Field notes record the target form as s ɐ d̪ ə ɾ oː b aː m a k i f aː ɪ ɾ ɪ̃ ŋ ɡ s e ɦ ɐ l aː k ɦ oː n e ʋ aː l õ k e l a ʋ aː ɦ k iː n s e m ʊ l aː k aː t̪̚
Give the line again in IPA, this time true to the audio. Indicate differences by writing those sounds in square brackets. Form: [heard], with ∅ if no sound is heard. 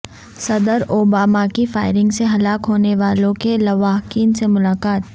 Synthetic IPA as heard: s ɐ d̪ ə ɾ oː b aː m a k i f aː ɪ ɾ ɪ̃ ŋ ɡ s e ɦ ɐ l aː k ɦ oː n e ʋ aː l õ k e l [ɐ] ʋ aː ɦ k iː n s e m ʊ l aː k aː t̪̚